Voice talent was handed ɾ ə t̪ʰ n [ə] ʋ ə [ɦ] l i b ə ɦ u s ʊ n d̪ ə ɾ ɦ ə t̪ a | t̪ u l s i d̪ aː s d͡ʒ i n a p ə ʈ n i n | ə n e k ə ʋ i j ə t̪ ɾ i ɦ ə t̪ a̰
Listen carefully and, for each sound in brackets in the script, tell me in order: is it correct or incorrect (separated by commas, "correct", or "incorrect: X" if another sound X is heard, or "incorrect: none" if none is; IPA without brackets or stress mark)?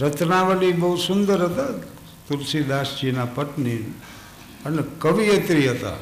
incorrect: a, incorrect: none